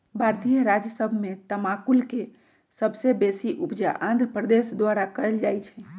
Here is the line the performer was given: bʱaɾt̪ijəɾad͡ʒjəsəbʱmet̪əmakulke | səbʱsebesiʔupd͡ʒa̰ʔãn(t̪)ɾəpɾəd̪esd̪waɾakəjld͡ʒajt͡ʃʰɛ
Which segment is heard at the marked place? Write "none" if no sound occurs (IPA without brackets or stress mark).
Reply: d̪